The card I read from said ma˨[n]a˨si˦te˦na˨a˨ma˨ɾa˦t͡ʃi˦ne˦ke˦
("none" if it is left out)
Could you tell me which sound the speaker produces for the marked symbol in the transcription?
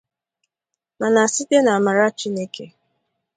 n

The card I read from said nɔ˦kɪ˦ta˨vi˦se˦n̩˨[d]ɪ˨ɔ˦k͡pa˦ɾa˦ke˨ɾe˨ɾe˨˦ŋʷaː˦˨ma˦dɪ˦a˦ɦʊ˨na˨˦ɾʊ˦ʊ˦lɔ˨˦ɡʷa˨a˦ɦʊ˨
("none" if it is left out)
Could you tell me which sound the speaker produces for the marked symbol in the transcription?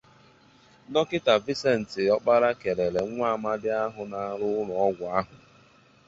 t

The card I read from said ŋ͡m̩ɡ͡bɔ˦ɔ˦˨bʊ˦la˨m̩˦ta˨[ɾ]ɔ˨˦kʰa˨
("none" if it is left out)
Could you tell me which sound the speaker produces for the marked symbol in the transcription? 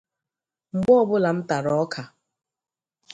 ɾ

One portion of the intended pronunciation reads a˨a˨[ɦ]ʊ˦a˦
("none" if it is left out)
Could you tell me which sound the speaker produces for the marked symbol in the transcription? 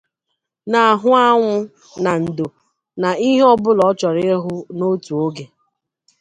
ɦ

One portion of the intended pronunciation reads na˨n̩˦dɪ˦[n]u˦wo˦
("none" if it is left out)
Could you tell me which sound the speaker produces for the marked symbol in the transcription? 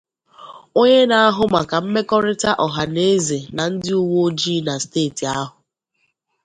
none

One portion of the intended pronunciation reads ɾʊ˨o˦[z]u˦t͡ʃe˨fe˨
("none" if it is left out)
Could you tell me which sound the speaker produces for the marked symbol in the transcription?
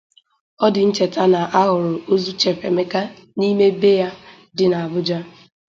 z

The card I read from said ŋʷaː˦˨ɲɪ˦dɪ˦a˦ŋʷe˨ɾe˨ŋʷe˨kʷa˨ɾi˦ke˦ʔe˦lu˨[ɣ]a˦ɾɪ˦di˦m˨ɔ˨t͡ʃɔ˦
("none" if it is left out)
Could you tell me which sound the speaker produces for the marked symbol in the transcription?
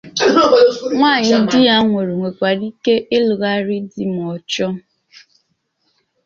ɣ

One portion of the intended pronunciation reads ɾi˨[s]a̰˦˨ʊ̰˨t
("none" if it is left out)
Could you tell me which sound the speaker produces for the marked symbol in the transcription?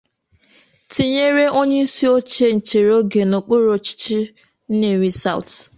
s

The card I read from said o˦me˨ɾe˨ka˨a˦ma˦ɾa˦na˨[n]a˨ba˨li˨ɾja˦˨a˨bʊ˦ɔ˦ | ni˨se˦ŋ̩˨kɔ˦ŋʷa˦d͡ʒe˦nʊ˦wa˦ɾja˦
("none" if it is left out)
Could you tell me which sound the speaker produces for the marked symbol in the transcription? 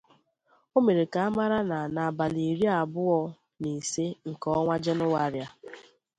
n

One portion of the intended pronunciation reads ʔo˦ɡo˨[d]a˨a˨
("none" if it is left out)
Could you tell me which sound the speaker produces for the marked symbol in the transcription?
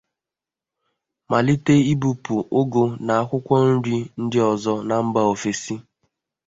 n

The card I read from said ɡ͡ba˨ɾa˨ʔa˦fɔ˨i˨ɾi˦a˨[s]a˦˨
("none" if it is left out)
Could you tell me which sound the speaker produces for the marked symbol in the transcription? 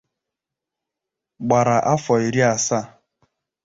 s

